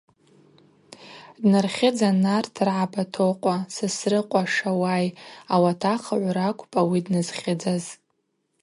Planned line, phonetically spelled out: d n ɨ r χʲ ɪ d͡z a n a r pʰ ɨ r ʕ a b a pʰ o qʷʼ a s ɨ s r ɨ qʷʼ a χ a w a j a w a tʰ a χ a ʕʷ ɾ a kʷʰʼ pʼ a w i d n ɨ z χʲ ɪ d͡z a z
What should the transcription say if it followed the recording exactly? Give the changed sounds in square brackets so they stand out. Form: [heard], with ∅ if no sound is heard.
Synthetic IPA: d n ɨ r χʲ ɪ d͡z a n a r [tʰ] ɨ r ʕ a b a [tʰ] o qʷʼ a s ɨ s r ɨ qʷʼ a [ʂ] a w a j a w a tʰ a χ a ʕʷ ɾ a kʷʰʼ pʼ a w i d n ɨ z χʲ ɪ d͡z a z